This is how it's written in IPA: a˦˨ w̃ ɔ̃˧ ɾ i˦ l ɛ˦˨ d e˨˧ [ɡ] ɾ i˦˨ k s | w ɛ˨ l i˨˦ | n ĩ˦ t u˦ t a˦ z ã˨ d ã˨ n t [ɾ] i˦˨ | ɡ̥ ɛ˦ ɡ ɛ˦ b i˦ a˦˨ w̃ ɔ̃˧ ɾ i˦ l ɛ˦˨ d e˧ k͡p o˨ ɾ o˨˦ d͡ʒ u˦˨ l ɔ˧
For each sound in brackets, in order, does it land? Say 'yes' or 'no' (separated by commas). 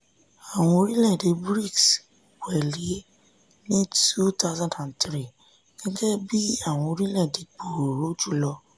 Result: no, yes